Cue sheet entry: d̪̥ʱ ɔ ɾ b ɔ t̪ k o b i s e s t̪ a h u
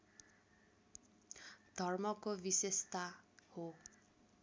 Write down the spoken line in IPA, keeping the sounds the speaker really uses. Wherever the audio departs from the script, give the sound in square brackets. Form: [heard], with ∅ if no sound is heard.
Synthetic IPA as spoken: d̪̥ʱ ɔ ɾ [m] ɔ [∅] k o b i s e s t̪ a h [o]